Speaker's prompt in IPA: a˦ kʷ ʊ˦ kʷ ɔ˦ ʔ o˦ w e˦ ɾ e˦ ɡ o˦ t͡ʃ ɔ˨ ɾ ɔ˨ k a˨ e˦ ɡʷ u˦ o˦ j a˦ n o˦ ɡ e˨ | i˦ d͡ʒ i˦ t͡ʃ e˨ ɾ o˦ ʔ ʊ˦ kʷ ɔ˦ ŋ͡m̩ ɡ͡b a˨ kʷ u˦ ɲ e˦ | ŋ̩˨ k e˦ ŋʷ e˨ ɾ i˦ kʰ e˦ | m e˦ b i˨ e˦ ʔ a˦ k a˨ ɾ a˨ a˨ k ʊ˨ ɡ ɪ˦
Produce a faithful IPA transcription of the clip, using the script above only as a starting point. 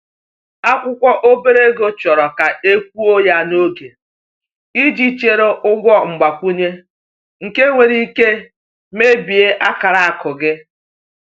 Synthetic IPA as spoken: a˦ kʷ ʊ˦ kʷ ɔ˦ ʔ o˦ b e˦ ɾ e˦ ɡ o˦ t͡ʃ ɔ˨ ɾ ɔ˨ k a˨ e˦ kʷ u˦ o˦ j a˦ n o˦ ɡ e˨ | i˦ d͡ʒ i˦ t͡ʃ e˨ ɾ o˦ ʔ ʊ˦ ɡʷ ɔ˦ ŋ͡m̩ ɡ͡b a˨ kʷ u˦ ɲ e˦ | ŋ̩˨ k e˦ ŋʷ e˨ ɾ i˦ k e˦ | m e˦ b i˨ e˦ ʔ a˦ k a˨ ɾ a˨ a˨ k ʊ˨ ɡ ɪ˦